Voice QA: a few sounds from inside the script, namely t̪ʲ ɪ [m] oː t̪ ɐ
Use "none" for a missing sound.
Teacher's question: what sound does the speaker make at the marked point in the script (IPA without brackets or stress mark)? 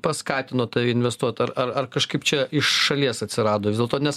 n